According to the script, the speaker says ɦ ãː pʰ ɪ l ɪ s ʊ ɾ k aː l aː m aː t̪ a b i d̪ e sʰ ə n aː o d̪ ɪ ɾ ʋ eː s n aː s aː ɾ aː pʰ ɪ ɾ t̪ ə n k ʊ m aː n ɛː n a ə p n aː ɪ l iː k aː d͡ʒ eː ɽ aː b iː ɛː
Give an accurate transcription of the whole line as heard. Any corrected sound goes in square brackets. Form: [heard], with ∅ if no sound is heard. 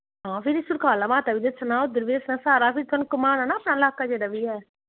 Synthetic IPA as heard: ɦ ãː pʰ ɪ [ɾ] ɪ s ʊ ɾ k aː l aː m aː t̪ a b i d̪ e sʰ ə n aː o d̪ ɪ ɾ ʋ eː s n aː s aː ɾ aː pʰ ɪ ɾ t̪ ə n k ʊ m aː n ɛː n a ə p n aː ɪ l [aː] k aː d͡ʒ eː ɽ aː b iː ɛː

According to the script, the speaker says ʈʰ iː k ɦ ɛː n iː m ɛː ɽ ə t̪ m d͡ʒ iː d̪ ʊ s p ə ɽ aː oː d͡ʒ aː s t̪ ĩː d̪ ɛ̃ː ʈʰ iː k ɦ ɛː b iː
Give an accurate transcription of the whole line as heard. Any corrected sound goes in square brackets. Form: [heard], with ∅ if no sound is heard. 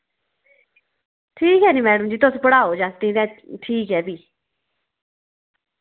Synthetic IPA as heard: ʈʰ iː k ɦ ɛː n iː m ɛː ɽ ə [∅] m d͡ʒ iː [t̪] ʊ s p ə ɽ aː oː d͡ʒ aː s t̪ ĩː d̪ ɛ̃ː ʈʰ iː k ɦ ɛː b iː

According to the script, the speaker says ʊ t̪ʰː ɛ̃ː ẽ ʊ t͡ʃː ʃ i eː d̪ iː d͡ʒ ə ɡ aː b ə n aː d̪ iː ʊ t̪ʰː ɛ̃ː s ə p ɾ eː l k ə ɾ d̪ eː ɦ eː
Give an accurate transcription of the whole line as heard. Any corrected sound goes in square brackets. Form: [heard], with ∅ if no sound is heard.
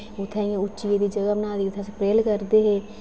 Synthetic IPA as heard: ʊ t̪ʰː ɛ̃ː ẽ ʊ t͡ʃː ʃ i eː d̪ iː d͡ʒ ə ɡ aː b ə n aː d̪ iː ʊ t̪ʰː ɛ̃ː s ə p ɾ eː l k ə ɾ d̪ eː ɦ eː

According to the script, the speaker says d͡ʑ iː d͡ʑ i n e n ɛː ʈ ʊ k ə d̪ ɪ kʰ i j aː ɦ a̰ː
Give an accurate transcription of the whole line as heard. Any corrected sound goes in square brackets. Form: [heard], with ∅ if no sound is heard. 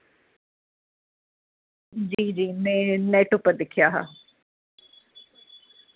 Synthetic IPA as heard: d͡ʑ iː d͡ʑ [iː] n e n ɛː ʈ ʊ [p] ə d̪ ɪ kʰ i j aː ɦ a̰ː

